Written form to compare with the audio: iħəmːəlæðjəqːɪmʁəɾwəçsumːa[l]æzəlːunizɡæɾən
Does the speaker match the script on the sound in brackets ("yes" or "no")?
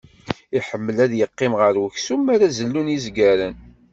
no